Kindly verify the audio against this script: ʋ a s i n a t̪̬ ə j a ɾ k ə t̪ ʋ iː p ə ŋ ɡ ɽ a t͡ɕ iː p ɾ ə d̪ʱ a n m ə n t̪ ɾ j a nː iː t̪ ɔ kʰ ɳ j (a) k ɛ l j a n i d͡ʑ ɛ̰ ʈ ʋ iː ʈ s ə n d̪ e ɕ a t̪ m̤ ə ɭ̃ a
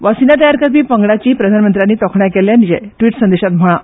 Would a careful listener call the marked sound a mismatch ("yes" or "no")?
no